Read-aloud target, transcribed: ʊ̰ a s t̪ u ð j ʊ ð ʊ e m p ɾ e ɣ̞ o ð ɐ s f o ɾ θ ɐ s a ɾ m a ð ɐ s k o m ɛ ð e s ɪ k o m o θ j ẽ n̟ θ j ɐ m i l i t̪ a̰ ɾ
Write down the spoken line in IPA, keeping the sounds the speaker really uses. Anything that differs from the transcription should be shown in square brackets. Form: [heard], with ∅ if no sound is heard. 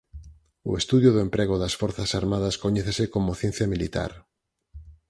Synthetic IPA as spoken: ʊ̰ [e] s t̪ u ð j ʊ ð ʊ e m p ɾ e ɣ̞ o ð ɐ s f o ɾ θ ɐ s a ɾ m a ð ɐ s k o [ɲ] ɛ [θ] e s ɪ k o m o θ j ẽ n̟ θ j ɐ m i l i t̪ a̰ ɾ